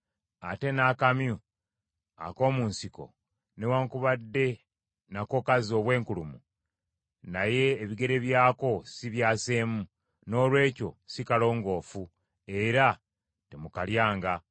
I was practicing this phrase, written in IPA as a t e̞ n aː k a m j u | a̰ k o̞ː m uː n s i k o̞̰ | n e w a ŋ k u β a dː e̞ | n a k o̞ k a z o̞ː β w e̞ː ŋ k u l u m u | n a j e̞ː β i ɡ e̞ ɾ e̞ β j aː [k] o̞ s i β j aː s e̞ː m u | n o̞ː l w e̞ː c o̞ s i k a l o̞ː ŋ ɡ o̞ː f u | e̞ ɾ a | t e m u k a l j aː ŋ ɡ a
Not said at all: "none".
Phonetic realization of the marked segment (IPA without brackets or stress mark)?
k